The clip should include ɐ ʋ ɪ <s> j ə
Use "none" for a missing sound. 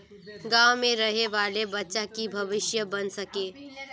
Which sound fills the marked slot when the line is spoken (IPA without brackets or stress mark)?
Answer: ʃ